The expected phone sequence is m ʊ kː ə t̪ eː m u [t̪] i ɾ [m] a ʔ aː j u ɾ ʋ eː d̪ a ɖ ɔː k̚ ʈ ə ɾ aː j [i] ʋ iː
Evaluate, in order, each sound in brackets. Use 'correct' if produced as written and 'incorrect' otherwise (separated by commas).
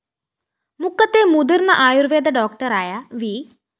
incorrect, incorrect, incorrect